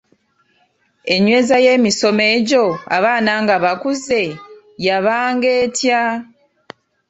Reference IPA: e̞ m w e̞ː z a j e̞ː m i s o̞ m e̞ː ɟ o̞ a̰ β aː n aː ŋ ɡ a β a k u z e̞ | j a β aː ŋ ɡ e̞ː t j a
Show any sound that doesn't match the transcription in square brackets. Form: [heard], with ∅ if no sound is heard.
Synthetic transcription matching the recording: e̞ [ɲ] w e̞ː z a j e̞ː m i s o̞ m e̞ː ɟ o̞ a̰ β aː n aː ŋ ɡ a β a k u z e̞ | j a β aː ŋ ɡ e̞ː t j a